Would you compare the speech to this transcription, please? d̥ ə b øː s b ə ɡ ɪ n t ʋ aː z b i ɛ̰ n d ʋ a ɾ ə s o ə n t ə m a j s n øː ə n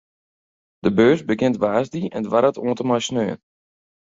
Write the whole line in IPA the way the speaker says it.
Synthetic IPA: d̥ ə b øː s b ə ɡ ɪ n t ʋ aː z d i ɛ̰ n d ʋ a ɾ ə t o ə n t ə m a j s n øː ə n